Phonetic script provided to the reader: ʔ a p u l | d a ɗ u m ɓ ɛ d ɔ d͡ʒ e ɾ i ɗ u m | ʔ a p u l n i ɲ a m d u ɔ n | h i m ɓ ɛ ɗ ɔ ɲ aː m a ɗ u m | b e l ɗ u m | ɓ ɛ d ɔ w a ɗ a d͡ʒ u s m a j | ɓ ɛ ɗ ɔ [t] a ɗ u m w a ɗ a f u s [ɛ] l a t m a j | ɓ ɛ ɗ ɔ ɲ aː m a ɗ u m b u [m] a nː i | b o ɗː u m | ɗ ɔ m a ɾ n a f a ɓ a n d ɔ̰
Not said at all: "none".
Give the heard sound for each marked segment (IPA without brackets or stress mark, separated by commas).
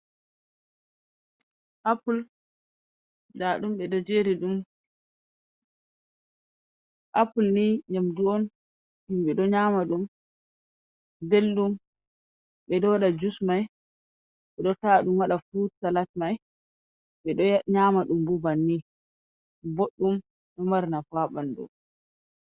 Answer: t, a, b